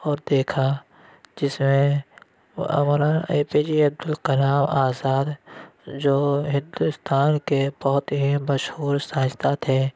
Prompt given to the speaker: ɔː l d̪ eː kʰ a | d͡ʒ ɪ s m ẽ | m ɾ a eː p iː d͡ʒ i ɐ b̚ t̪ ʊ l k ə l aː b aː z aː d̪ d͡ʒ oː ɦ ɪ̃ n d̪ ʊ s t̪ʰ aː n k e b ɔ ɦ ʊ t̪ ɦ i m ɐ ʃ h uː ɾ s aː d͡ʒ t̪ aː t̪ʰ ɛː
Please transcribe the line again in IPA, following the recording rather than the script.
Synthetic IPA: ɔː ɾ d̪ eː kʰ a | d͡ʒ ɪ s m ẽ | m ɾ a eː p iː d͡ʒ i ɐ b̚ d̪ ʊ l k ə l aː m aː z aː d̪ d͡ʒ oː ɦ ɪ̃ n d̪ ʊ s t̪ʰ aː n k e b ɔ ɦ ʊ t̪ ɦ i m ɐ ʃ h uː ɾ s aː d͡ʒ t̪ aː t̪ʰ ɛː

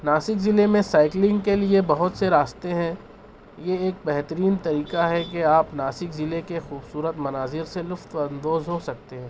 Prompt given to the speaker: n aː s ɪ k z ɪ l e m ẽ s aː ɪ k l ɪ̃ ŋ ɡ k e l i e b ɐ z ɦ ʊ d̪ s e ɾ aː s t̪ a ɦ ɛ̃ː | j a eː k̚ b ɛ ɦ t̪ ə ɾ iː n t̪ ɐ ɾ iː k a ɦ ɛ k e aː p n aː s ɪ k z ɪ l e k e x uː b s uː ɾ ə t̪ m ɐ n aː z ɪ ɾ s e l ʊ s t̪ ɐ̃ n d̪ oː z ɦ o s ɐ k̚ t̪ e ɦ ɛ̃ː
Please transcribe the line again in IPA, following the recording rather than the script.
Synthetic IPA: n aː s ɪ k z ɪ l e m ẽ s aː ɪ k l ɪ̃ ŋ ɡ k e l i e b ɐ ɦ ʊ t̪ s e ɾ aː s t̪ e ɦ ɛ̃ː | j e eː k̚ b ɛ ɦ t̪ ə ɾ iː n t̪ ɐ ɾ iː k a ɦ ɛ k e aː p n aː s ɪ k z ɪ l e k e x uː b s uː ɾ ə t̪ m ɐ n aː z ɪ ɾ s e l ʊ f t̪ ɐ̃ n d̪ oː z ɦ o s ɐ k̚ t̪ e ɦ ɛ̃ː

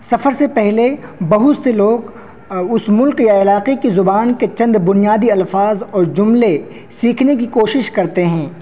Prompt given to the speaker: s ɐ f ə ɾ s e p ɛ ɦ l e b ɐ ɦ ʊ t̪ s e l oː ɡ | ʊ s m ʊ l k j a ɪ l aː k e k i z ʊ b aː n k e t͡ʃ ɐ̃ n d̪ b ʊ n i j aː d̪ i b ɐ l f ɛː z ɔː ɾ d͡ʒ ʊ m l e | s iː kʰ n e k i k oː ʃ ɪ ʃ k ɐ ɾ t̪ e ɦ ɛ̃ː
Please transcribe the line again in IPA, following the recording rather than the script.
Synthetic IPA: s ɐ f ə ɾ s e p ɛ ɦ l e b ɐ ɦ ʊ t̪ s e l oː ɡ | ʊ s m ʊ l k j a ɪ l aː q e k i z ʊ b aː n k e t͡ʃ ɐ̃ n d̪ b ʊ n i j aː d̪ i ɐ l f aː z ɔː ɾ d͡ʒ ʊ m l e | s iː kʰ n e k i k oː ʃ ɪ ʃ k ɐ ɾ t̪ e ɦ ɛ̃ː

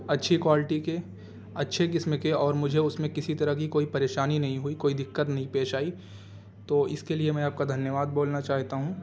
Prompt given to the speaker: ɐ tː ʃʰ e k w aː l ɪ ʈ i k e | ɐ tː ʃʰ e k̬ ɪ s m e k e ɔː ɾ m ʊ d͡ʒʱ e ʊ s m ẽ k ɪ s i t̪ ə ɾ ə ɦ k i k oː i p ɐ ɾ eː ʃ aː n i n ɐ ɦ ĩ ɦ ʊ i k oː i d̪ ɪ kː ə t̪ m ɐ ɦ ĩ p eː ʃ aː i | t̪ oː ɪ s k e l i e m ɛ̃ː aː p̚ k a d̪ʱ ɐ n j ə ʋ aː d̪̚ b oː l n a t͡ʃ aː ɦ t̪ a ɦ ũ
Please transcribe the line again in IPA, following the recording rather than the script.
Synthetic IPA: ɐ tː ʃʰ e k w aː l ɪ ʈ i k e | ɐ tː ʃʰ e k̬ ɪ s m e k e ɔː ɾ m ʊ d͡ʒʱ e ʊ s m ẽ k ɪ s i t̪ ɐ ɾ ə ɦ k i k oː i p ɐ ɾ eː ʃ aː n i n ɐ ɦ ĩ ɦ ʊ i k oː i d̪ ɪ kː ə t̪ n ɐ ɦ ĩ p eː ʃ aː i | t̪ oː ɪ s k e l i e m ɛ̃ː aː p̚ k a d̪ʱ ɐ n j ə ʋ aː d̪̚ b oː l n a t͡ʃ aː ɦ t̪ a ɦ ũ

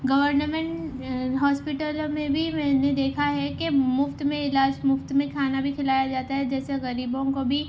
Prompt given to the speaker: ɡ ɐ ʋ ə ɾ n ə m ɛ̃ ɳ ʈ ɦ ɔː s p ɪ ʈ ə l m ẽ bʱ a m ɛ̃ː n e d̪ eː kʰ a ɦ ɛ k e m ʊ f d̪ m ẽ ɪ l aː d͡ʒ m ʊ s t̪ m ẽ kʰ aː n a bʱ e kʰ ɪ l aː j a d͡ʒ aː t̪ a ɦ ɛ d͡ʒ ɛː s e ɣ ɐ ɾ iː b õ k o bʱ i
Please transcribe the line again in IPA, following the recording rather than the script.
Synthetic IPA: ɡ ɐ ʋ ə ɾ n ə m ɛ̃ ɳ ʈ ɦ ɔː s p ɪ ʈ ə l m ẽ bʱ i m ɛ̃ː n e d̪ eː kʰ a ɦ ɛ k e m ʊ f t̪ m ẽ ɪ l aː d͡ʒ m ʊ f t̪ m ẽ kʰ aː n a bʱ i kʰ ɪ l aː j a d͡ʒ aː t̪ a ɦ ɛ d͡ʒ ɛː s e ɣ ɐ ɾ iː b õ k o bʱ i

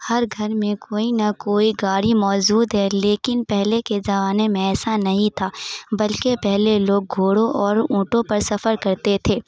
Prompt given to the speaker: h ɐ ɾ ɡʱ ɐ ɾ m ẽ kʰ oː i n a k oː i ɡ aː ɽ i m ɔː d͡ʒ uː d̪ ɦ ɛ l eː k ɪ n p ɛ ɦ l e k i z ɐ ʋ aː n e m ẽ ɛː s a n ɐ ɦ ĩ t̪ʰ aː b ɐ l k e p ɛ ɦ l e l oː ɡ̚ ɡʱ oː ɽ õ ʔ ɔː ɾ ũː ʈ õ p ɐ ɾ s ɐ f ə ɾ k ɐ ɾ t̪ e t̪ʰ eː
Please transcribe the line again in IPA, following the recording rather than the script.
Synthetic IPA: h ɐ ɾ ɡʱ ɐ ɾ m ẽ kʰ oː i n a k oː i ɡ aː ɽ i m ɔː d͡ʒ uː d̪ ɦ ɛ l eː k ɪ n p ɛ ɦ l e k e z ɐ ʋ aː n e m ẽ ɛː s a n ɐ ɦ ĩ t̪ʰ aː b ɐ l k e p ɛ ɦ l e l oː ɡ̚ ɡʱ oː ɽ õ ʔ ɔː ɾ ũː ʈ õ p ɐ ɾ s ɐ f ə ɾ k ɐ ɾ t̪ e t̪ʰ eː

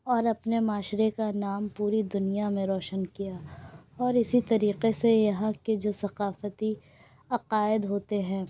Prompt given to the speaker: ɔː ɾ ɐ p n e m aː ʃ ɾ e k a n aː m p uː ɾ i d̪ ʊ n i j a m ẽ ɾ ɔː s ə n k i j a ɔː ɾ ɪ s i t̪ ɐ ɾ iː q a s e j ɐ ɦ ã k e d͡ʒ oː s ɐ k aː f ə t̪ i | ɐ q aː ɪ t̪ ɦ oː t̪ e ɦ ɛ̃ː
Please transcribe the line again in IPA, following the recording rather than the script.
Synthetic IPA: ɔː ɾ ɐ p n e m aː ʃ ɾ e k a n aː m p uː ɾ i d̪ ʊ n i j a m ẽ ɾ ɔː ʃ ə n k i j a ɔː ɾ ɪ s i t̪ ɐ ɾ iː q e s e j ɐ ɦ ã k e d͡ʒ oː s ɐ q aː f ə t̪ i | ɐ q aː ɪ d̪ ɦ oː t̪ e ɦ ɛ̃ː

